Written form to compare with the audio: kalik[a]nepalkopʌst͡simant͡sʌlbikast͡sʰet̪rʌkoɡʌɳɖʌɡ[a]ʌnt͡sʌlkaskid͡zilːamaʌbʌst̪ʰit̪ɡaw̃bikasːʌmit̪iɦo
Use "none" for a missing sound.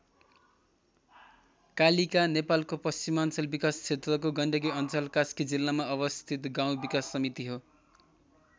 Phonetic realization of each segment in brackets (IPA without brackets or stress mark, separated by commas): a, i